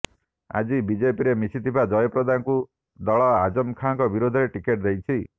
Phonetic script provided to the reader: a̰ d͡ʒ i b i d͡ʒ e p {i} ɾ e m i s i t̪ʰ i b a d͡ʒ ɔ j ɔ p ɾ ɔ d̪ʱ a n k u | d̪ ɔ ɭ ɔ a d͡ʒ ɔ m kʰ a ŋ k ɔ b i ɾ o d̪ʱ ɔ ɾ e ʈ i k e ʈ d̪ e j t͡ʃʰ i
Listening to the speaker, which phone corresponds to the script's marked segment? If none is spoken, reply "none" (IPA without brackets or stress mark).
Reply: i